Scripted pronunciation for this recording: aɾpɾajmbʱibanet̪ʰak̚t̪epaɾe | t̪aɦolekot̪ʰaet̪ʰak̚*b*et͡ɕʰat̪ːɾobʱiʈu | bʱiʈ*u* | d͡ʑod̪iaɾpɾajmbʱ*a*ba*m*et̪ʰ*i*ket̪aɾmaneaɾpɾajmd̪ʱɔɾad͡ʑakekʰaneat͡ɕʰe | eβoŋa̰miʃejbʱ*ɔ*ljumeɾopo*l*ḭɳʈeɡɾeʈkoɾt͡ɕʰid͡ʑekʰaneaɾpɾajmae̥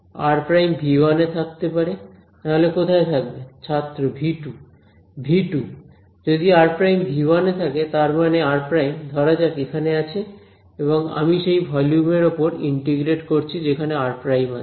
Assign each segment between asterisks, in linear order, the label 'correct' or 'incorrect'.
correct, correct, incorrect, incorrect, incorrect, correct, incorrect

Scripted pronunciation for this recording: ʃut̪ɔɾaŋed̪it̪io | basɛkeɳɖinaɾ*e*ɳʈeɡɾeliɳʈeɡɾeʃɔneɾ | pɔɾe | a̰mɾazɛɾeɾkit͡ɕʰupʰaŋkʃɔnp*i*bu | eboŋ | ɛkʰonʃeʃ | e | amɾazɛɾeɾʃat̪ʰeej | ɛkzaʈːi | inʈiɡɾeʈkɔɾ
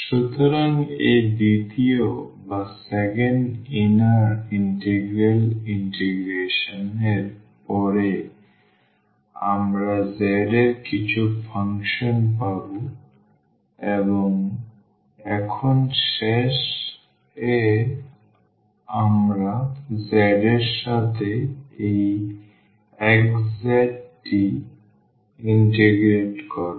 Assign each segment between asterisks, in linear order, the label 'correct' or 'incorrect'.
incorrect, incorrect

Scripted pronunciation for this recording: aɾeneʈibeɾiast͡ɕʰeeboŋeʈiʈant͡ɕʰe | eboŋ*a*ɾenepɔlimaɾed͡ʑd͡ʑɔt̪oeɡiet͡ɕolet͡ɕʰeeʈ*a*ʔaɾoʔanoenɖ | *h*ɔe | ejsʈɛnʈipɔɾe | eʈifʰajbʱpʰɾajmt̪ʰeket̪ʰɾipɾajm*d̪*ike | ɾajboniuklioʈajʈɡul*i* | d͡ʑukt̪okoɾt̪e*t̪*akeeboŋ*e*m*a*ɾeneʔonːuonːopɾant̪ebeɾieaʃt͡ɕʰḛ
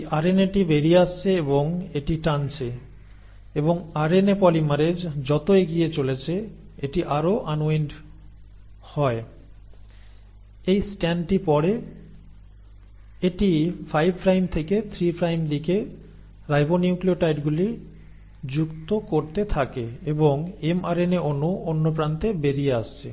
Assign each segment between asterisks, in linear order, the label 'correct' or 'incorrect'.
correct, incorrect, correct, correct, correct, incorrect, correct, correct

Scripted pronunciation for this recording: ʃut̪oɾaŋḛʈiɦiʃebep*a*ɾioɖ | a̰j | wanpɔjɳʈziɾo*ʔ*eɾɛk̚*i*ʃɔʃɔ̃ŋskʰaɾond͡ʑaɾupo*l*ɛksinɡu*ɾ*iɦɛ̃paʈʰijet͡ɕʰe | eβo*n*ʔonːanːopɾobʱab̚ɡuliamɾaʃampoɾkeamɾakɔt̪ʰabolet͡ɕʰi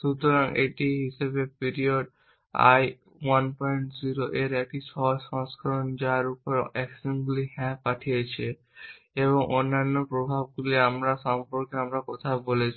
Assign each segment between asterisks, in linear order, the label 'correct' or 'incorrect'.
incorrect, correct, correct, incorrect, incorrect, incorrect

